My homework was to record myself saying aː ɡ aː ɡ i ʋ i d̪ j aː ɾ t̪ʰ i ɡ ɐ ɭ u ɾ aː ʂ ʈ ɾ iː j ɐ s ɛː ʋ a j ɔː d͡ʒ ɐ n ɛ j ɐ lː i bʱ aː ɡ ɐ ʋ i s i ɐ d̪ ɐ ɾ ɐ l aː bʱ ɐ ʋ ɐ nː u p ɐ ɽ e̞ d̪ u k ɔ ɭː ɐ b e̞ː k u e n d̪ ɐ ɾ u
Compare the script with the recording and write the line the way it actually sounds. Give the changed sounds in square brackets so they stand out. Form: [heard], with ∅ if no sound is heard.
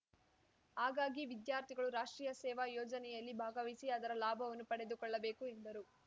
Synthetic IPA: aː ɡ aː ɡ i ʋ i d̪ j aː ɾ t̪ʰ i ɡ ɐ ɭ u ɾ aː ʂ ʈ ɾ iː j ɐ s ɛː ʋ a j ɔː d͡ʒ ɐ n ɛ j ɐ lː i bʱ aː ɡ ɐ ʋ i s i ɐ d̪ ɐ ɾ ɐ l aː bʱ ɐ ʋ ɐ nː u p ɐ ɽ e̞ d̪ u k ɔ ɭː ɐ b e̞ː k u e n d̪ ɐ ɾ u